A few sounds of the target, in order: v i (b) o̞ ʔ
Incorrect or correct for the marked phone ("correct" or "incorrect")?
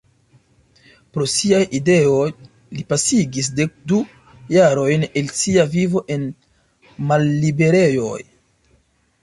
incorrect